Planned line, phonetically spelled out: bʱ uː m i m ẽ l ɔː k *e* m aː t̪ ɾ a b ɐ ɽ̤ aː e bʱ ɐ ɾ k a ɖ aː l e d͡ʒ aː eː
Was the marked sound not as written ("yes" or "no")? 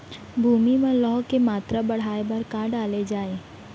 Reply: no